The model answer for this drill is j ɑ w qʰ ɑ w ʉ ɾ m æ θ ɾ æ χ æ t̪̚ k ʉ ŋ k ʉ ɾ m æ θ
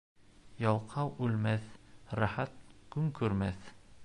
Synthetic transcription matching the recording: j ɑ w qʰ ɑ w ʉ l m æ θ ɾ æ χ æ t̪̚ k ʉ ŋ k ʉ ɾ m æ θ